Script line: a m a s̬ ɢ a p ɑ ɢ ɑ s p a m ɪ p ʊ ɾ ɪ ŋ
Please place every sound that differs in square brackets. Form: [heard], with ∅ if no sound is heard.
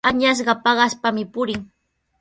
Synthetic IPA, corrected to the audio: a [ɲ] a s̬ ɢ [ɑ] p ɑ ɢ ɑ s p a m ɪ p ʊ ɾ ɪ ŋ